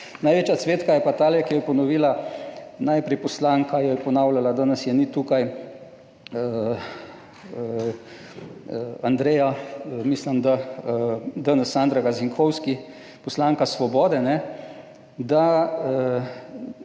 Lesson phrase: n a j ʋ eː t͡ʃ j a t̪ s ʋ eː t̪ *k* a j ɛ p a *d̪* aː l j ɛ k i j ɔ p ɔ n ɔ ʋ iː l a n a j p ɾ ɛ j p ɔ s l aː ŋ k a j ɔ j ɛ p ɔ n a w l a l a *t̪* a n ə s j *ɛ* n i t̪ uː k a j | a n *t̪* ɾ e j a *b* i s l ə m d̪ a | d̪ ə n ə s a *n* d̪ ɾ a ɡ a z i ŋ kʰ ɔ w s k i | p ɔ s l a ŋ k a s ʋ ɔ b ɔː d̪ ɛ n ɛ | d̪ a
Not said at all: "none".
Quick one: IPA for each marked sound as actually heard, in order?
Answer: k, t̪, d̪, ɛ, d̪, m, n

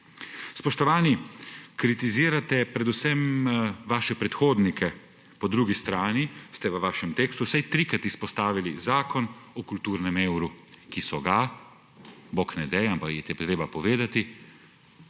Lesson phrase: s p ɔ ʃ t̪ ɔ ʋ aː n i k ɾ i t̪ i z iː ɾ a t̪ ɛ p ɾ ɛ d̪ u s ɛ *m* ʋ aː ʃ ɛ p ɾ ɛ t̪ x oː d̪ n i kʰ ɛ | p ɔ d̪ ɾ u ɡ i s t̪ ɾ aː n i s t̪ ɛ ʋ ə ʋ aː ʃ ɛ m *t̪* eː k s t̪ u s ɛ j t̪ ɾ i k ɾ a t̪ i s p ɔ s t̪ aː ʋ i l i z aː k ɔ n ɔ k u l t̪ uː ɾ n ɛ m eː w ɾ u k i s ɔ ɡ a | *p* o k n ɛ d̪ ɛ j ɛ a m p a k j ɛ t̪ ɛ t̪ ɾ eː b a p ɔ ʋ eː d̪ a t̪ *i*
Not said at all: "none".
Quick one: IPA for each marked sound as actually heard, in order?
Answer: m, t̪, b, i

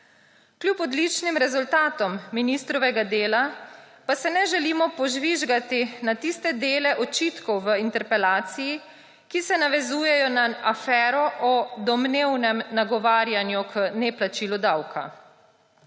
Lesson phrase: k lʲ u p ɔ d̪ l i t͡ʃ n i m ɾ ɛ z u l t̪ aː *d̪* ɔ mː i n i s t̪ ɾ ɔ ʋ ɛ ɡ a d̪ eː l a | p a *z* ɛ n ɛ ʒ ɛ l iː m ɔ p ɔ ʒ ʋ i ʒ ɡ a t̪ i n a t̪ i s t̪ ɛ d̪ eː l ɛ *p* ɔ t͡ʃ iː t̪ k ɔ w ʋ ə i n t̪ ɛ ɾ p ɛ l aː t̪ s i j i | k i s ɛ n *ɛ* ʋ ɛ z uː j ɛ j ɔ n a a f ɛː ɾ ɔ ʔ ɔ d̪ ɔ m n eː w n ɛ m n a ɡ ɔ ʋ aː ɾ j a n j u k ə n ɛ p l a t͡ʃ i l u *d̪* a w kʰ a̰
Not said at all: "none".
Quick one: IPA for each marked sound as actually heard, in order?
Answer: t̪, s, ʔ, a, d̪

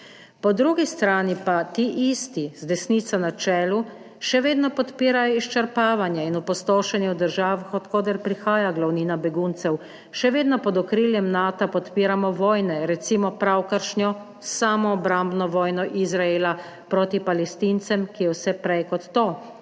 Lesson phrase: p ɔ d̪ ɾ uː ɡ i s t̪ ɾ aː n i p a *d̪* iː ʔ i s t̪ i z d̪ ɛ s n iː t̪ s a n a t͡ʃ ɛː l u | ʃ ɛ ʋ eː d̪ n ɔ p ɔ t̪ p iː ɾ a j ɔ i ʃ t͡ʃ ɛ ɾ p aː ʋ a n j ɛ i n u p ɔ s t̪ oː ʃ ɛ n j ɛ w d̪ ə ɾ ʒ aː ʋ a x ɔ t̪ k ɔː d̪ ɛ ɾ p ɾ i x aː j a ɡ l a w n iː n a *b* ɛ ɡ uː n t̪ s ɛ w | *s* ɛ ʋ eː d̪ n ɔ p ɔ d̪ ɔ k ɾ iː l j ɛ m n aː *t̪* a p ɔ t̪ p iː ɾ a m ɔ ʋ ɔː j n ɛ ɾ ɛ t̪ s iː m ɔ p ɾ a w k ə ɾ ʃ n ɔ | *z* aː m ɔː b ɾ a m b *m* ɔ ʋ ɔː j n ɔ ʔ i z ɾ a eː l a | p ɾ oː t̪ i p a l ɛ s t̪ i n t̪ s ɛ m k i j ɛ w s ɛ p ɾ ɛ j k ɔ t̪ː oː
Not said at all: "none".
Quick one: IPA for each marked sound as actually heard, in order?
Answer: t̪, b, ʃ, t̪, s, n

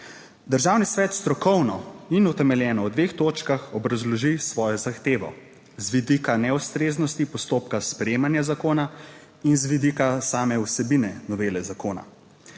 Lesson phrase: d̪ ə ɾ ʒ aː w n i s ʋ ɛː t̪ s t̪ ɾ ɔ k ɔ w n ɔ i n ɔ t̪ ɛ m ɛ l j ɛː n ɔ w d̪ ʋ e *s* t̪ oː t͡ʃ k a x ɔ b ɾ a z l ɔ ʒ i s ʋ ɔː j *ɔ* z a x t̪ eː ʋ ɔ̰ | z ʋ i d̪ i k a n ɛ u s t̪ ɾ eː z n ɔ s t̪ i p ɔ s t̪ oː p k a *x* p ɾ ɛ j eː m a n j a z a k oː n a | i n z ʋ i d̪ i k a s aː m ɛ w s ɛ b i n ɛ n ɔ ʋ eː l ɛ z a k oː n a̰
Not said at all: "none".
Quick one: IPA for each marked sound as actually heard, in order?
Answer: x, ɔ, s

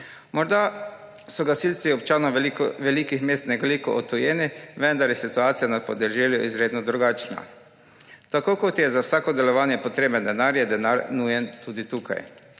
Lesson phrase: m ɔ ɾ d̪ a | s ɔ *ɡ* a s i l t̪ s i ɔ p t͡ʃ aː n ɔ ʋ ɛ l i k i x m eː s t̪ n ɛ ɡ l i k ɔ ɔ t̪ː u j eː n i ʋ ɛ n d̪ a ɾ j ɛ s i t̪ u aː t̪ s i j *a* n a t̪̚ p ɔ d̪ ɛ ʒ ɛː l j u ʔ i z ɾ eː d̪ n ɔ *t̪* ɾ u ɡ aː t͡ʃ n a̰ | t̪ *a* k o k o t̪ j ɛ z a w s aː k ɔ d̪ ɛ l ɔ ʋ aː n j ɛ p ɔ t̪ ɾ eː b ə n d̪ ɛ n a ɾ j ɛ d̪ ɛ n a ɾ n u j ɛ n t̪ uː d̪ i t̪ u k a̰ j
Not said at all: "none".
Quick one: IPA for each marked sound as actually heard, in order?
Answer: ɡ, a, d̪, a

